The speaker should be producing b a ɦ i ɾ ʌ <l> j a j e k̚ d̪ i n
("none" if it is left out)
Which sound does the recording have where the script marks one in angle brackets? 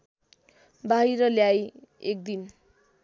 l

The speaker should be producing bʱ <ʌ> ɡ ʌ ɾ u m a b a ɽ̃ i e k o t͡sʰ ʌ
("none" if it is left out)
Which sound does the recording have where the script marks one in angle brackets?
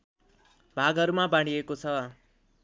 a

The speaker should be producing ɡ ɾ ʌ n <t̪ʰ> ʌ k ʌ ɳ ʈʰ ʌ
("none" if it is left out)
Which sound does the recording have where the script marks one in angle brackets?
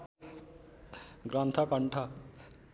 t̪ʰ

